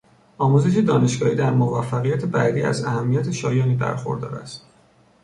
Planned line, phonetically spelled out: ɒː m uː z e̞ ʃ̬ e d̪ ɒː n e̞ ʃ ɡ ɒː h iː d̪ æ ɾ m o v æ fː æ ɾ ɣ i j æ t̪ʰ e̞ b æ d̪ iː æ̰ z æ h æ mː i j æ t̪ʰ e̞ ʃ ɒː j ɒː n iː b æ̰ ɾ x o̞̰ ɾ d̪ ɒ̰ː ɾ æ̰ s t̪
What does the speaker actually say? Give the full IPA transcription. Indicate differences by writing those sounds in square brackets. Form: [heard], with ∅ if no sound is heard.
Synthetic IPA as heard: ɒː m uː z e̞ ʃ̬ e d̪ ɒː n e̞ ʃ ɡ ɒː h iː d̪ æ ɾ m o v æ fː æ [∅] ɣ i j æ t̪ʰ e̞ b æ d̪ iː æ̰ z æ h æ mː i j æ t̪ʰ e̞ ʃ ɒː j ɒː n iː b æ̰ ɾ x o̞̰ ɾ d̪ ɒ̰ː ɾ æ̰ s t̪